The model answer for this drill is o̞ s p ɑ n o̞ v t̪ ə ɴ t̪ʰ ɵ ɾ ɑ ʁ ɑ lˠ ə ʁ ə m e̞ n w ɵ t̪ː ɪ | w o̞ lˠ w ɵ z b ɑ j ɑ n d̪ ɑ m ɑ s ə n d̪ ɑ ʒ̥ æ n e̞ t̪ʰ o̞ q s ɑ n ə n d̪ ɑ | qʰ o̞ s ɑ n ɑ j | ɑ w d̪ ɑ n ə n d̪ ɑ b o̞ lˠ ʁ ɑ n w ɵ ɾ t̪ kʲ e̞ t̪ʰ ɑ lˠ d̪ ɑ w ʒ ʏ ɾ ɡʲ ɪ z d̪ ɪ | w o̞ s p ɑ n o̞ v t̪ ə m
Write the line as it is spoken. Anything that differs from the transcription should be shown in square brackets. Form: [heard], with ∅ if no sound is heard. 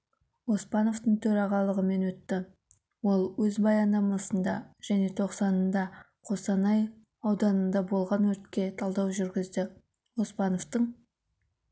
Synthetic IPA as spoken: o̞ s p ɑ n o̞ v t̪ ə ɴ t̪ʰ ɵ ɾ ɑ ʁ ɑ lˠ ə ʁ ə m e̞ n w ɵ t̪ː ɪ | w o̞ lˠ w ɵ z b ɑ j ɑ n d̪ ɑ m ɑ s ə n d̪ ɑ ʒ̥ æ n e̞ t̪ʰ o̞ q s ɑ n ə n d̪ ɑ | qʰ o̞ s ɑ n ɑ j | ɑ w d̪ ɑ n ə n d̪ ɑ b o̞ lˠ ʁ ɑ n w ɵ ɾ t̪ kʲ e̞ t̪ʰ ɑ lˠ d̪ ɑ w ʒ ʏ ɾ ɡʲ ɪ z d̪ ɪ | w o̞ s p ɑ n o̞ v t̪ ə [ɴ]